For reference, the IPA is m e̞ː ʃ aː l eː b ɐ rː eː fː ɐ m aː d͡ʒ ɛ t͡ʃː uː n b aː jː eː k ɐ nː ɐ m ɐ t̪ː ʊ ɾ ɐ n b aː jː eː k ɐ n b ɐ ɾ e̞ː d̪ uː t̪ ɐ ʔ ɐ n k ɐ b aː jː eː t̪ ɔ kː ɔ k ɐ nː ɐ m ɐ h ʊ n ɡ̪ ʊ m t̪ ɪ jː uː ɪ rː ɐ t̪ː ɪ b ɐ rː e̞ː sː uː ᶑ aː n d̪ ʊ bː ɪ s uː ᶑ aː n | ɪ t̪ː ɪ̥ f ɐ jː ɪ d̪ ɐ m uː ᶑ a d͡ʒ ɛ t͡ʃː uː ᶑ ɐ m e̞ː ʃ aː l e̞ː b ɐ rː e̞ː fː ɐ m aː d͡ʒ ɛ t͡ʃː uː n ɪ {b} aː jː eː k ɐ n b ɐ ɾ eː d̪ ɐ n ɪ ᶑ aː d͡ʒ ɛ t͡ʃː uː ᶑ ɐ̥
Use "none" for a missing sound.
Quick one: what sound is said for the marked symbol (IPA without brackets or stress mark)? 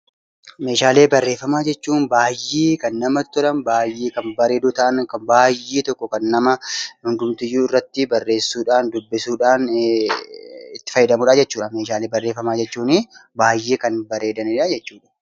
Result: b